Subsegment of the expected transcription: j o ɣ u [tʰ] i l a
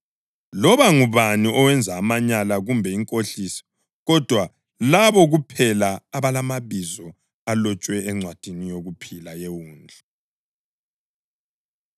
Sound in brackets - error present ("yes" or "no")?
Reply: yes